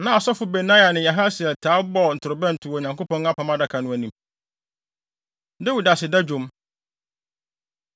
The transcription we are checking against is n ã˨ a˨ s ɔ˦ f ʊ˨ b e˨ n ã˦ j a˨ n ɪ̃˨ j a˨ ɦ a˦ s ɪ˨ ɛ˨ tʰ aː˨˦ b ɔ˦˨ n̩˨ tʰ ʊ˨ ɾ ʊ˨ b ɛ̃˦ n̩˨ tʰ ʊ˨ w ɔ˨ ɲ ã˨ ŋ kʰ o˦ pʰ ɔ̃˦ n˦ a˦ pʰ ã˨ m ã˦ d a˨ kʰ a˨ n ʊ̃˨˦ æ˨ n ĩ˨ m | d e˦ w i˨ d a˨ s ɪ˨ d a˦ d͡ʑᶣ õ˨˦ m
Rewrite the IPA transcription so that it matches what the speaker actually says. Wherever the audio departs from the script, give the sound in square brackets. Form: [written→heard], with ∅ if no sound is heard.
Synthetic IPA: n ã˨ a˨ s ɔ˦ f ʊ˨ b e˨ n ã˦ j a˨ n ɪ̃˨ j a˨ ɦ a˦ s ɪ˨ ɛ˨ tʰ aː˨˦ b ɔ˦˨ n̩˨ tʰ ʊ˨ ɾ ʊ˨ b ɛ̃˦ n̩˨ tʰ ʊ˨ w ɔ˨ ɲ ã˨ ŋ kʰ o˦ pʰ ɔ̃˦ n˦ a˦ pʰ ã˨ m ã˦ d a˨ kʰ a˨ n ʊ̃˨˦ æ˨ n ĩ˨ m | d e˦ w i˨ d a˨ s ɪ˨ d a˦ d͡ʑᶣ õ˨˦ m